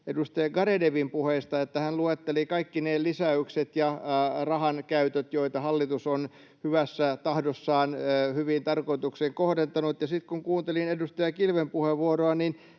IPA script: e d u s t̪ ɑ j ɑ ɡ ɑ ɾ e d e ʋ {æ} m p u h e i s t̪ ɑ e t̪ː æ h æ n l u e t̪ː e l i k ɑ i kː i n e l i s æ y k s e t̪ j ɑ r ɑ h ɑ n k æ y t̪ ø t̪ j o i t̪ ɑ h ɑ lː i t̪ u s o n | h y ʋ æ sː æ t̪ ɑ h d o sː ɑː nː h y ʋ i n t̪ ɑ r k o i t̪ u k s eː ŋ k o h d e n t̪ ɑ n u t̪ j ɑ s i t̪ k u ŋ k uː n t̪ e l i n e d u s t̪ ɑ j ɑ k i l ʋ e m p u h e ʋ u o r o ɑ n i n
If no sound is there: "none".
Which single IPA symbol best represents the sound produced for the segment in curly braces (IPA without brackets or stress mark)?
i